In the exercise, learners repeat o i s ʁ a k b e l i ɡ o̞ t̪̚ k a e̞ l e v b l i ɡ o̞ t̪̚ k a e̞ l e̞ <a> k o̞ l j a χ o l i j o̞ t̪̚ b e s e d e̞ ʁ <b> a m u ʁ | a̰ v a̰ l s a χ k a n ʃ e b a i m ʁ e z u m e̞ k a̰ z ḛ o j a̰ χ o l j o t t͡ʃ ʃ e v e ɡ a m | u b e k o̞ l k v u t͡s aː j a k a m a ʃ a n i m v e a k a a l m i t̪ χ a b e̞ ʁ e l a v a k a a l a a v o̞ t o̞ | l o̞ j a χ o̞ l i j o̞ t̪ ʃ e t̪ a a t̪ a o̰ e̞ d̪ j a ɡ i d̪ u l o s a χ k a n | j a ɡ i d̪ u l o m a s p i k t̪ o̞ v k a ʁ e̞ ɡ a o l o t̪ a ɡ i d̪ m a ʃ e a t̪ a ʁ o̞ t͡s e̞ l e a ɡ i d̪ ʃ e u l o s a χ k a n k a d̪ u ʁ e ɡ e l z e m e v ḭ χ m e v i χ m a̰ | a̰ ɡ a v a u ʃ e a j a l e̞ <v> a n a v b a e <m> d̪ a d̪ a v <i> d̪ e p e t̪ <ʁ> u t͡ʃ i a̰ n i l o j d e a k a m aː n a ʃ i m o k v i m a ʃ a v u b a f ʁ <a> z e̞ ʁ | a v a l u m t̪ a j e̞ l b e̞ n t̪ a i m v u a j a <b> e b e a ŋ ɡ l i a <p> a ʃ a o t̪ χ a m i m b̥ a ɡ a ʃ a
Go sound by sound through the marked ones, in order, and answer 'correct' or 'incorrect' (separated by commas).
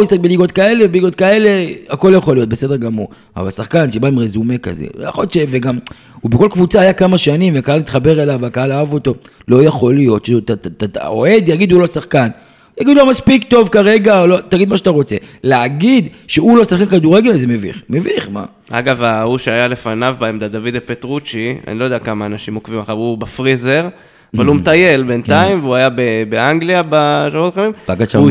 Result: correct, incorrect, incorrect, correct, correct, correct, incorrect, correct, incorrect